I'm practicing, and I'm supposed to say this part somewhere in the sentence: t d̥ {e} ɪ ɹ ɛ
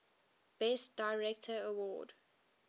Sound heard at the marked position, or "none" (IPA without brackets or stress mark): a